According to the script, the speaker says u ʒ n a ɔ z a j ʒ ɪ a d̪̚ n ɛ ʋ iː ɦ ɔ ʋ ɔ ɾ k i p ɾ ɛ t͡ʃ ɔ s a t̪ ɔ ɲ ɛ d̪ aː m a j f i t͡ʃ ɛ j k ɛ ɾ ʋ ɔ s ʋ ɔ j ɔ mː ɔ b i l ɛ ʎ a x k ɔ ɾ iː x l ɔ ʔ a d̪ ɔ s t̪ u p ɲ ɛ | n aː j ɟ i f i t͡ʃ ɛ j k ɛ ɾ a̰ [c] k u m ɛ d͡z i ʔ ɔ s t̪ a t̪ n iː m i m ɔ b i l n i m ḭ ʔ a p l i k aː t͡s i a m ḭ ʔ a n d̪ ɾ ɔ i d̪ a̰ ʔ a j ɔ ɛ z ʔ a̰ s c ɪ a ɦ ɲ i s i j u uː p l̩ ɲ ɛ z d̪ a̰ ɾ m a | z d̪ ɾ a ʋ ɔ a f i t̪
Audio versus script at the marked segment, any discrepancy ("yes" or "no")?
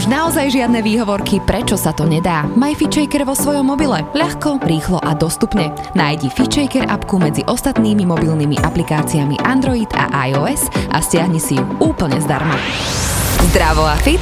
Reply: yes